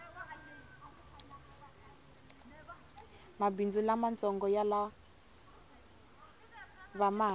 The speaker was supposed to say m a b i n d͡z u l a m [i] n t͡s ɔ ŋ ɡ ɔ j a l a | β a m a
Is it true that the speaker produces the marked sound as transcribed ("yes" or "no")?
no